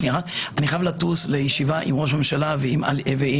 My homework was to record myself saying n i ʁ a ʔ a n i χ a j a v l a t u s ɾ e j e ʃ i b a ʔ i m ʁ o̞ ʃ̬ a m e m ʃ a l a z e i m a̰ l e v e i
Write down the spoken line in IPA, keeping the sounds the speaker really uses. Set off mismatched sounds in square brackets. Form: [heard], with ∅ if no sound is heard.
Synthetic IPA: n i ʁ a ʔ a n i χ a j a v l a t u s [l] e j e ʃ i [v] a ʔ i m ʁ o̞ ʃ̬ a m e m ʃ a l a [v] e i m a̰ l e v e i